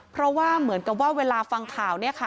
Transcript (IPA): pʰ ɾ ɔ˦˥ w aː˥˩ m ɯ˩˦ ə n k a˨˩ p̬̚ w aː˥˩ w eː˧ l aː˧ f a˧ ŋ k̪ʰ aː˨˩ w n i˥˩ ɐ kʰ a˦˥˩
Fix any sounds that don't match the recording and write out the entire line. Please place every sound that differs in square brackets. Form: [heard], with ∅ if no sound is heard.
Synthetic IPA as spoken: pʰ ɾ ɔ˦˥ w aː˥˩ m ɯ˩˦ ə n k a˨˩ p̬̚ w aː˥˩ w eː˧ l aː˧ f a˧ ŋ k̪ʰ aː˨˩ w n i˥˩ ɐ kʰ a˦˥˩